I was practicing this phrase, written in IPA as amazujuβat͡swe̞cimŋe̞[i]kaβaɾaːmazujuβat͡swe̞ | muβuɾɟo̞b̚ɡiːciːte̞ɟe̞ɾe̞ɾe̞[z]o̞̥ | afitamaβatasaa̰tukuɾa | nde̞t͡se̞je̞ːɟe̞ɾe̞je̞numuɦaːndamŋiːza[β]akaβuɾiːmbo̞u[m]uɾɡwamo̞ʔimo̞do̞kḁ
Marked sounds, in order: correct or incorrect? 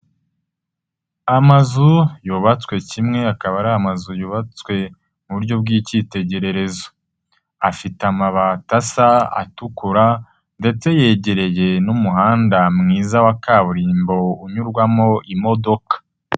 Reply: incorrect: a, correct, incorrect: w, incorrect: ɲ

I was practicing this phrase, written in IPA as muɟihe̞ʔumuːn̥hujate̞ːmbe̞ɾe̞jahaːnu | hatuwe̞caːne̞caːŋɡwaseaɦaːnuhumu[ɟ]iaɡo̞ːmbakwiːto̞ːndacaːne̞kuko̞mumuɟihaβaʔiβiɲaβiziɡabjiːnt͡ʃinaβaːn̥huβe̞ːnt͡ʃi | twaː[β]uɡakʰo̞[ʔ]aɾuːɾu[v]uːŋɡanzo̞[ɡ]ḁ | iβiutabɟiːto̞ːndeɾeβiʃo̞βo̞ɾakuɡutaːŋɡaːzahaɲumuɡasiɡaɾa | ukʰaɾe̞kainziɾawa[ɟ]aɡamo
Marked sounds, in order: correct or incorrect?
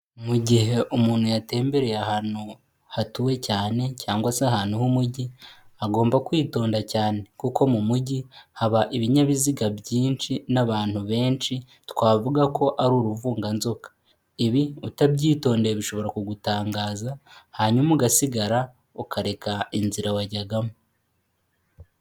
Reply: correct, incorrect: v, correct, correct, incorrect: k, correct

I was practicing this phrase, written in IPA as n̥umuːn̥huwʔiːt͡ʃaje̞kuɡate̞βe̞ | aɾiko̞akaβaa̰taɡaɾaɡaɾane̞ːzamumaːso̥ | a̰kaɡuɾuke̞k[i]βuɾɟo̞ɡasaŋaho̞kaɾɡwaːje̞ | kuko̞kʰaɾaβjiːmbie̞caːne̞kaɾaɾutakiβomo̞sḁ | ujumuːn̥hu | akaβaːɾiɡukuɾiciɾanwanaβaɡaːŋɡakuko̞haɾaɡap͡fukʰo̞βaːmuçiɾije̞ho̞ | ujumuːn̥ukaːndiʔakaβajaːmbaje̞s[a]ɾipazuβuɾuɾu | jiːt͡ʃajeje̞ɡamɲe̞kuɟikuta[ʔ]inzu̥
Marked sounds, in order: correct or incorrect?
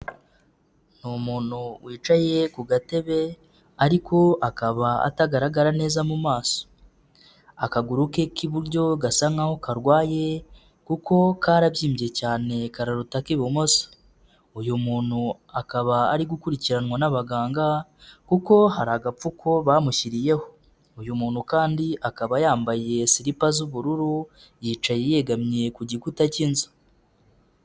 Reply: correct, incorrect: i, incorrect: c

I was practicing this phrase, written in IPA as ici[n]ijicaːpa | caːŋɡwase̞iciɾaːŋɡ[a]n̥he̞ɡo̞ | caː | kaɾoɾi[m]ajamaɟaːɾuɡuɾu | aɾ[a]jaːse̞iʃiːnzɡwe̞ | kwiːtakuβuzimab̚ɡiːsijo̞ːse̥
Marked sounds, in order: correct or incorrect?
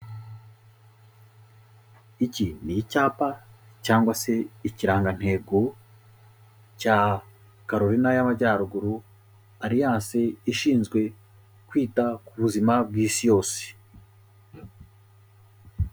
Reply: correct, correct, incorrect: n, incorrect: i

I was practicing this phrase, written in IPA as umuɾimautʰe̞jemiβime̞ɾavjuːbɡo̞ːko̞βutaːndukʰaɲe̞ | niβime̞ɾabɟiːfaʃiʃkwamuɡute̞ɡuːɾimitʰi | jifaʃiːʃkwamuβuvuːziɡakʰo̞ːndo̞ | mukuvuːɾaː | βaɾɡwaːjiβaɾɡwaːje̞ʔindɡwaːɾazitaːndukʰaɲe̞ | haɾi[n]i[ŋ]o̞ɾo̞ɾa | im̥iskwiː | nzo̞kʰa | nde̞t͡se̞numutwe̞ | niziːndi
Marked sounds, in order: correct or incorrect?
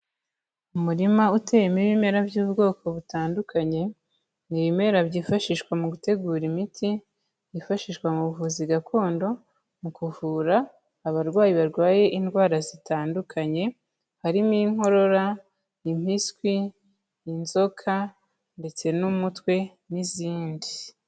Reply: incorrect: m, correct

